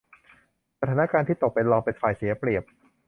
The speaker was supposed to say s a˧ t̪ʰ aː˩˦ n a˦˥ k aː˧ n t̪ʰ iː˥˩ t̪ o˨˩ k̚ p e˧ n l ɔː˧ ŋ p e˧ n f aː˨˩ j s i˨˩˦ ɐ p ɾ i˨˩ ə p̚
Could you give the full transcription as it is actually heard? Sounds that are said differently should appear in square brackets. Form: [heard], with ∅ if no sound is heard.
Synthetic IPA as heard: s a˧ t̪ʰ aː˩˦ n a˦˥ k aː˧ n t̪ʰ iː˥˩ t̪ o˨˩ k̚ p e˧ n l ɔː˧ ŋ p e˧ n f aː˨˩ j s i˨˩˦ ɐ p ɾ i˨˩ ə p̚